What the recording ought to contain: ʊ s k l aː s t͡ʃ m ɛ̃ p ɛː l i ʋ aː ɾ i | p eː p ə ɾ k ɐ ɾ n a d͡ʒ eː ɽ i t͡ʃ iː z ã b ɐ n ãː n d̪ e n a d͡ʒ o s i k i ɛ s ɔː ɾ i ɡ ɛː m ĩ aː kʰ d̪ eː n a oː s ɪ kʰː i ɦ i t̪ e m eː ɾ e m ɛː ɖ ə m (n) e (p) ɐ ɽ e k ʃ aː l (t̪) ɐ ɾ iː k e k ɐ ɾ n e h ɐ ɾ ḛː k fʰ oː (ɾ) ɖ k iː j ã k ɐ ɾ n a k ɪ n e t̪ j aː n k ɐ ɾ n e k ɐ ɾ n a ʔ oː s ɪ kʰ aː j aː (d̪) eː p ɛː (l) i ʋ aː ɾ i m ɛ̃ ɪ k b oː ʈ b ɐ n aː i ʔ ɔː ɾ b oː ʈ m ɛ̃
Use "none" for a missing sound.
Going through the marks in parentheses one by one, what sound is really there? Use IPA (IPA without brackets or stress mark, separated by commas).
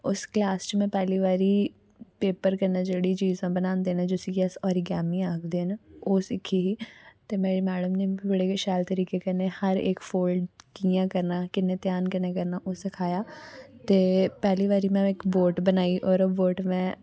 n, b, t̪, l, t̪, l